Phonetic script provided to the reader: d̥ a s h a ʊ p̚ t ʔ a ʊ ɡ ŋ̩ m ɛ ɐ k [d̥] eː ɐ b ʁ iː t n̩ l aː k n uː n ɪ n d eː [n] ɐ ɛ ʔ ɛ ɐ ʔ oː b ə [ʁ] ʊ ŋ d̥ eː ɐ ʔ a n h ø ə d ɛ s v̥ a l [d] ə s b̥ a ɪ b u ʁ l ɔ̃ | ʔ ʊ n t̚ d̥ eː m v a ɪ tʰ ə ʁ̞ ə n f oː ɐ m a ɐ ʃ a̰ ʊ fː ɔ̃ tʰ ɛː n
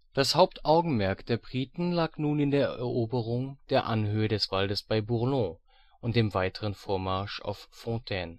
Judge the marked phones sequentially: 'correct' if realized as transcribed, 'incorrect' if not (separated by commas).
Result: correct, incorrect, correct, correct